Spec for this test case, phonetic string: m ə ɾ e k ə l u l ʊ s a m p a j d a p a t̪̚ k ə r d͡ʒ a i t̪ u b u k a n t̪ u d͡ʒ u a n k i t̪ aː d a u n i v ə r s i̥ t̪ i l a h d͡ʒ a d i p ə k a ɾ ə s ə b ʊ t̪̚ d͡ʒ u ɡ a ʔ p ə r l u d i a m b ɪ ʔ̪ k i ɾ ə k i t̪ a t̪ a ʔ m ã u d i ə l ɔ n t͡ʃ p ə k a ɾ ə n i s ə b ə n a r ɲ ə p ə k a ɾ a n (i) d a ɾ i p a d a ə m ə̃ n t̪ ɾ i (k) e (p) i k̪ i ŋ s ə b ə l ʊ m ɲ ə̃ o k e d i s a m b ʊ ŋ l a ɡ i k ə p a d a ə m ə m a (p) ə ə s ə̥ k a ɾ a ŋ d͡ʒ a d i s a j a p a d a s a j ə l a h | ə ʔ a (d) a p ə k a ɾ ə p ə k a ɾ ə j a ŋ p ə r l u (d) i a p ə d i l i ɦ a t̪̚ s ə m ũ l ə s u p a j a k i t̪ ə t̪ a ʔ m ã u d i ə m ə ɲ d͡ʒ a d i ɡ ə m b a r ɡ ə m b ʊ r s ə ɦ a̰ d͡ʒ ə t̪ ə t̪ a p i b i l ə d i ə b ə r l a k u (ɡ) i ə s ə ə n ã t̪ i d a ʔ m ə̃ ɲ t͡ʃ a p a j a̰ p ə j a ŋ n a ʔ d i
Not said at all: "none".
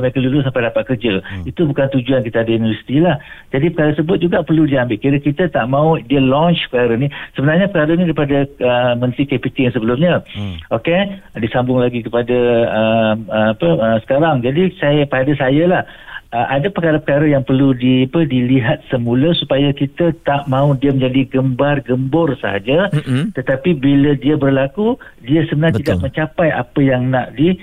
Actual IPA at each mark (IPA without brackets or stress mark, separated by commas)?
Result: i, k, p, p, d, d, d